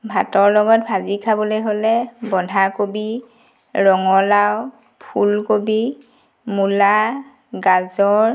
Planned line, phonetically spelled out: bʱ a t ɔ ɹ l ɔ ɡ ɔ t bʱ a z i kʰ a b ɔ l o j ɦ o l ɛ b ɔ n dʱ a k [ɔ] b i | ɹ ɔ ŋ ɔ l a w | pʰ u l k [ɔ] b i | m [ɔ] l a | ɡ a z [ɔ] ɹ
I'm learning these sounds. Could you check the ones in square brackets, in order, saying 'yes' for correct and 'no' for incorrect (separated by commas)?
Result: no, no, no, yes